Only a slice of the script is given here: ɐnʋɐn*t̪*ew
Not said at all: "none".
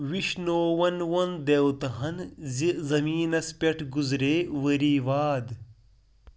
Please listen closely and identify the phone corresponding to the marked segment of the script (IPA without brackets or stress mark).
d̪